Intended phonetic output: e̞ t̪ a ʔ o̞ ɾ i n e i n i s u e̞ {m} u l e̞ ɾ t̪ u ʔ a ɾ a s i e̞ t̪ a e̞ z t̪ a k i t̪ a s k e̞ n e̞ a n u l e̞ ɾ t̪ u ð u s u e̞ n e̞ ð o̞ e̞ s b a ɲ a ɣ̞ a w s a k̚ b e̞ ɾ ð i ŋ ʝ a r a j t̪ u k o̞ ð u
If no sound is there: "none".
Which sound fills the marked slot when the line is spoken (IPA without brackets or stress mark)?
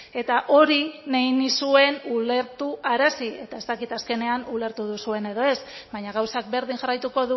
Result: n